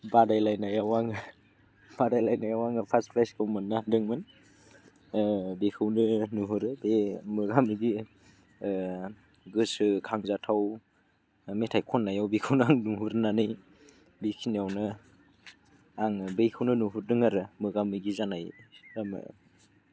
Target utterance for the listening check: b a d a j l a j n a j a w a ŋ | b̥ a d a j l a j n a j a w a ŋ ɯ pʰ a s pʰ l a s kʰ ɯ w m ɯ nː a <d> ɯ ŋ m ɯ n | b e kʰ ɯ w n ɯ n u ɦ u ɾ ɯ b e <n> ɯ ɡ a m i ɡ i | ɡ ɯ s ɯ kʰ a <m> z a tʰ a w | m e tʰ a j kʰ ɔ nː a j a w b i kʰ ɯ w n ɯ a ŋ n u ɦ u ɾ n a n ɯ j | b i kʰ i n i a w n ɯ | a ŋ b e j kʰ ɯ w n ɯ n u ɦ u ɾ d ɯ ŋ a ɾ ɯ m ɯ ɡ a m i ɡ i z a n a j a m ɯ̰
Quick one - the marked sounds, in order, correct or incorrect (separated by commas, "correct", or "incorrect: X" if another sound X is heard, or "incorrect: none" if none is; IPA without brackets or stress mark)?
correct, incorrect: m, incorrect: ŋ